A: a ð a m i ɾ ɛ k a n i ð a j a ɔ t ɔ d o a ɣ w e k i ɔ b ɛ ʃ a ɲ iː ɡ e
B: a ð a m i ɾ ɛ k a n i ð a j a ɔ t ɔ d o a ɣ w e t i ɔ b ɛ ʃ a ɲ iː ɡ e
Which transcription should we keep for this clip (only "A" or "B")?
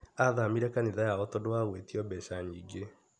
B